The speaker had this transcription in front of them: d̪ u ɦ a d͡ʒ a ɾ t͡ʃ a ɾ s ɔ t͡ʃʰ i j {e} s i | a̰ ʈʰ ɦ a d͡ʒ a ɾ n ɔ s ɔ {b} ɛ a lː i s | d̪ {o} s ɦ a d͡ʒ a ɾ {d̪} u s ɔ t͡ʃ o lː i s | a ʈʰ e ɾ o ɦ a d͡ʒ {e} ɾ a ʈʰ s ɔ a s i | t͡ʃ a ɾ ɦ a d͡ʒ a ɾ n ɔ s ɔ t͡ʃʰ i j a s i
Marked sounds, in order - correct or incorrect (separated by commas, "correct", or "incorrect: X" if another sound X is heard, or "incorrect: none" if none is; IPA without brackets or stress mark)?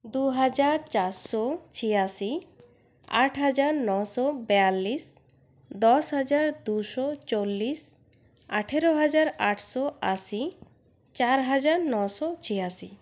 incorrect: a, correct, incorrect: ɔ, correct, incorrect: a